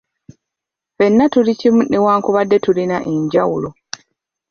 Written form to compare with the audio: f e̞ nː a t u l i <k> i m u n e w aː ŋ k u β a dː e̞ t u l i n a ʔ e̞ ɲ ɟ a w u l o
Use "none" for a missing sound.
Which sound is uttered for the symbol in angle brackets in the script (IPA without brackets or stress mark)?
c